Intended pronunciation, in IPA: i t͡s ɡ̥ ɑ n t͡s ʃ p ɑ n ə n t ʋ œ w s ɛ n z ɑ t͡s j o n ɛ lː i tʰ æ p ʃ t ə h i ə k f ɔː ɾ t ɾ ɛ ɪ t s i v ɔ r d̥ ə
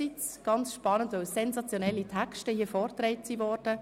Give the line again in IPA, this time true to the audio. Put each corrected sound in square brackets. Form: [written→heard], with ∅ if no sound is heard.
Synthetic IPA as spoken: i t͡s ɡ̥ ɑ n t͡s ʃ p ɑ n ə n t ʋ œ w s ɛ n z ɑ t͡s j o n ɛ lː i tʰ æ [p→k] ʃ t ə h i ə [k→∅] f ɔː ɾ t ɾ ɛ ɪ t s i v ɔ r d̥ ə